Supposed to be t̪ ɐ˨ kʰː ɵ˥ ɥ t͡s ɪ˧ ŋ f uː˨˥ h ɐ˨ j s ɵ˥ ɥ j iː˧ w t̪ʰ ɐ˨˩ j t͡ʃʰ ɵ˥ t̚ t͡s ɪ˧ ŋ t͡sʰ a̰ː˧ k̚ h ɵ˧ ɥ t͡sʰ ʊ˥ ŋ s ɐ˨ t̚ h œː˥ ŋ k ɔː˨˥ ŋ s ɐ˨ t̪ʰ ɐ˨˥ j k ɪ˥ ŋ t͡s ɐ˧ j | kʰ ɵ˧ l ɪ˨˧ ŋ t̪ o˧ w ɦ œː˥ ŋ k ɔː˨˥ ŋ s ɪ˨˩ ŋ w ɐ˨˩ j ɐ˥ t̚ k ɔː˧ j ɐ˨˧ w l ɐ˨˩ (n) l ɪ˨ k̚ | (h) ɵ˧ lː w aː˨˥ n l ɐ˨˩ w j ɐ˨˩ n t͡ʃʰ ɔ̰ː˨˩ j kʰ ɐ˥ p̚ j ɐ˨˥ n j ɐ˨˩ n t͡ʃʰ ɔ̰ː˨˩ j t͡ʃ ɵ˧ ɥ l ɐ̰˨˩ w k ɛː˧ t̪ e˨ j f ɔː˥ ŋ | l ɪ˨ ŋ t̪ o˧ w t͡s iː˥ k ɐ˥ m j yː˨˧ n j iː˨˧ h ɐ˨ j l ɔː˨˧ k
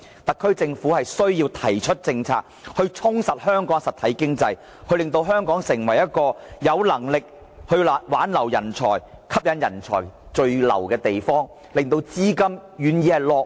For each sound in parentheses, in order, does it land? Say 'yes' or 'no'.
no, yes

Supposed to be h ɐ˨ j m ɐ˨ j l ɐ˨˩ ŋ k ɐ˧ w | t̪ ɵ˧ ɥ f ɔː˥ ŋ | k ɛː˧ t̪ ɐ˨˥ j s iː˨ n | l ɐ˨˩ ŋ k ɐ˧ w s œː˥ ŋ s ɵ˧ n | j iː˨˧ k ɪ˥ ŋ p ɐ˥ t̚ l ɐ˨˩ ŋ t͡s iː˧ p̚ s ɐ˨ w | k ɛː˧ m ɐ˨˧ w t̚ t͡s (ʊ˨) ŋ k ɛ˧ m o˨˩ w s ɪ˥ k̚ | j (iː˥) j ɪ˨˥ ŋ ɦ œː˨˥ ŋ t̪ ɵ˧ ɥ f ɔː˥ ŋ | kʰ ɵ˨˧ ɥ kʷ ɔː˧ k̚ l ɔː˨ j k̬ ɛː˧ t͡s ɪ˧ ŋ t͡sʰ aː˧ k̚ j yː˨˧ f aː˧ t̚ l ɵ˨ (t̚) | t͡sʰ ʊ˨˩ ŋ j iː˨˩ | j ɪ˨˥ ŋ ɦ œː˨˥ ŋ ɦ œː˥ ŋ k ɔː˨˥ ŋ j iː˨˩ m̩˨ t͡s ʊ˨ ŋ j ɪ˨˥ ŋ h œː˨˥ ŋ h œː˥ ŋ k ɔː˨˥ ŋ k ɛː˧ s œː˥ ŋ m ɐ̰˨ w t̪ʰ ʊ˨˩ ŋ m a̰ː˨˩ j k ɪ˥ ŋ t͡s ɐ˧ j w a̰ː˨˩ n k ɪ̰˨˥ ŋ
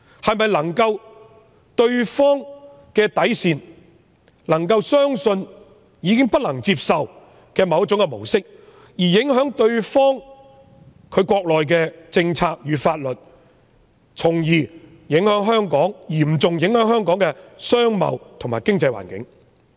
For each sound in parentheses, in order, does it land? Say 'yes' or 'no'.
no, no, yes

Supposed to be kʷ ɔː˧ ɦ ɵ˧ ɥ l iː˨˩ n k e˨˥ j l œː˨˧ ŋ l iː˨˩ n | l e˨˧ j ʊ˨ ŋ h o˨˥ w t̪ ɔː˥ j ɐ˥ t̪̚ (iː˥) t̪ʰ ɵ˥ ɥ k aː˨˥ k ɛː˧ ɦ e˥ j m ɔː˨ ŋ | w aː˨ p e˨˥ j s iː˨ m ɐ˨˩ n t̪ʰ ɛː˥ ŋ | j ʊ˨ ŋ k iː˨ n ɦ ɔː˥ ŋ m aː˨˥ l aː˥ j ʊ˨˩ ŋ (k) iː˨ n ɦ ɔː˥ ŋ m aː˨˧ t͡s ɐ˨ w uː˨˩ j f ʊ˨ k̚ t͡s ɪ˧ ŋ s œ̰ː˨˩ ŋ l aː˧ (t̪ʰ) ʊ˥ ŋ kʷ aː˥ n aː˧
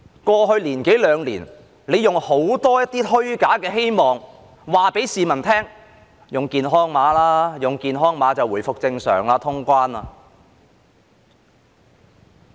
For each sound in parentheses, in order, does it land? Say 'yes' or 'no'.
yes, yes, yes

